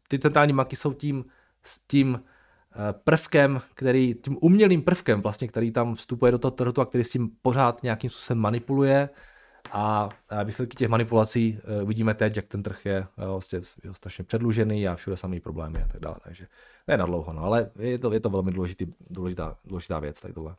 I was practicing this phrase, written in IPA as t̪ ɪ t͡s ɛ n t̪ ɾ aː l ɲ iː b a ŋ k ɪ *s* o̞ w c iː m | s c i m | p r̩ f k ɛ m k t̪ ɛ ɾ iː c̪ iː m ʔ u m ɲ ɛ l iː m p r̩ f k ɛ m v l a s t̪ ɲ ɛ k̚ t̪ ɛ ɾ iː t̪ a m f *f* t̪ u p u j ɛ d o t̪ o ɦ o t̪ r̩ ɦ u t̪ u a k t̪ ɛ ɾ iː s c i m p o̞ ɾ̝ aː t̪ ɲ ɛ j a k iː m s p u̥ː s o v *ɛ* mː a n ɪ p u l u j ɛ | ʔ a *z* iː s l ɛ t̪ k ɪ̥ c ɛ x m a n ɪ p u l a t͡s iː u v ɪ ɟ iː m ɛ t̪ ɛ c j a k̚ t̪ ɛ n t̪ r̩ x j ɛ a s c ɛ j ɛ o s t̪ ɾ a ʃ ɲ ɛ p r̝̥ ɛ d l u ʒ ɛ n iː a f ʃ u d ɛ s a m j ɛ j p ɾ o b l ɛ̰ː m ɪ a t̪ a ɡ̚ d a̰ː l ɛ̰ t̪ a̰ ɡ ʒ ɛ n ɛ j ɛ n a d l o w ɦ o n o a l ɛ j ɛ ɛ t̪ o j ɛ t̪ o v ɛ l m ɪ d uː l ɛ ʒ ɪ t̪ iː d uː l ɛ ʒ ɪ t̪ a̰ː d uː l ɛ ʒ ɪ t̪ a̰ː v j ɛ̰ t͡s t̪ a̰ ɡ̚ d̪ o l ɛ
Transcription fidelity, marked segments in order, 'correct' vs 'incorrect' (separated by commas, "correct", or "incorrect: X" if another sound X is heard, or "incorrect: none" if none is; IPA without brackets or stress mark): correct, incorrect: s, correct, incorrect: v